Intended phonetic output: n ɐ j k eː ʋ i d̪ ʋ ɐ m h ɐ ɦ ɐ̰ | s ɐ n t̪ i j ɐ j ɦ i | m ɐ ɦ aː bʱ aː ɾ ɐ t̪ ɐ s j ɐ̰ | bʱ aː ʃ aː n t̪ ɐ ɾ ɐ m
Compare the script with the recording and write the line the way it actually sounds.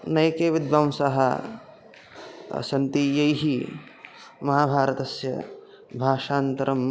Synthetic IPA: n ɐ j k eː ʋ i d̪ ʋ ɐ m s ɐ ɦ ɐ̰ | s ɐ n t̪ i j ɐ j ɦ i | m ɐ ɦ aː bʱ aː ɾ ɐ t̪ ɐ s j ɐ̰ | bʱ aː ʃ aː n t̪ ɐ ɾ ɐ m